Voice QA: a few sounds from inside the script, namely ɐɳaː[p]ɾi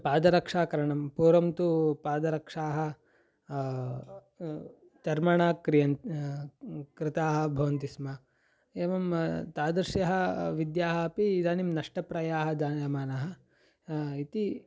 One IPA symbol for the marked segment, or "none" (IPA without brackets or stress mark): k